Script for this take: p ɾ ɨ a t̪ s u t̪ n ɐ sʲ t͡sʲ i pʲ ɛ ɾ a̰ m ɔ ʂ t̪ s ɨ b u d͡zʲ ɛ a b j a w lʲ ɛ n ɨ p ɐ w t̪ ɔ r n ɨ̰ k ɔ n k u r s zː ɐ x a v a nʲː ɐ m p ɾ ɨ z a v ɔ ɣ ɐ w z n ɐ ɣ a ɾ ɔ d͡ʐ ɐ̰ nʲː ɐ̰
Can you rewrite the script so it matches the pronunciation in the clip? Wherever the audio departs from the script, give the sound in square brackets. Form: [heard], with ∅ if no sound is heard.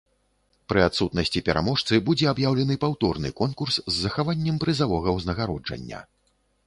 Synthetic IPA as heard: p ɾ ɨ a t̪ s u t̪ n ɐ sʲ t͡sʲ i pʲ ɛ ɾ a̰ m ɔ ʂ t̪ s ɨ b u d͡zʲ ɛ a b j a w lʲ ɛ n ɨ p [a] w t̪ ɔ r n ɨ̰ k ɔ n k u r s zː ɐ x a v a nʲː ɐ m p ɾ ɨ z a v ɔ ɣ ɐ w z n ɐ ɣ a ɾ ɔ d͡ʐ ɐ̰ nʲː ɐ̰